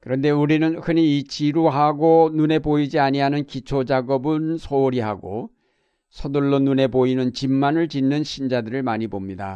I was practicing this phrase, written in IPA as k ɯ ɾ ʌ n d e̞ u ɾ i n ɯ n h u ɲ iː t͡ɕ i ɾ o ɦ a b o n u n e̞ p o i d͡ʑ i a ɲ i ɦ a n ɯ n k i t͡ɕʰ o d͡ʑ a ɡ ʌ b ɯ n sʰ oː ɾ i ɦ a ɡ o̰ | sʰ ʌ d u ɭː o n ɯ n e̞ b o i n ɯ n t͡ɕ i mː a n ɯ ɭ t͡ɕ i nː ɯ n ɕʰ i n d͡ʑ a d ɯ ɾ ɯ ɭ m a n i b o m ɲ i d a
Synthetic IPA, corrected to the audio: k ɯ ɾ ʌ n d e̞ u ɾ i n ɯ n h ɯ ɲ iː t͡ɕ i ɾ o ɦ a ɡ o n u n e̞ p o i d͡ʑ i a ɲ i ɦ a n ɯ n k i t͡ɕʰ o d͡ʑ a ɡ ʌ b ɯ n sʰ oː ɾ i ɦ a ɡ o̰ | sʰ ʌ d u ɭː o n u n e̞ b o i n ɯ n t͡ɕ i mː a n ɯ ɭ t͡ɕ i nː ɯ n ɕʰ i n d͡ʑ a d ɯ ɾ ɯ ɭ m a ɲ i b o m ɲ i d a